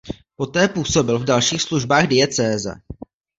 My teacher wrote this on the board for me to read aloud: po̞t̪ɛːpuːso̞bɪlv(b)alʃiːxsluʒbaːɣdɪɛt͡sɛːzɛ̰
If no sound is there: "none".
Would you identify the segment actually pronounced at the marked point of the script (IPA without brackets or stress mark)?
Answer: d